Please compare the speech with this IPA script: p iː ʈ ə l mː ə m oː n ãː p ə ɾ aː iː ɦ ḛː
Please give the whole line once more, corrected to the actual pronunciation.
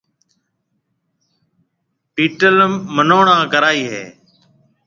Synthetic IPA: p iː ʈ ə l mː ə n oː ɳ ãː k ə ɾ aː iː ɦ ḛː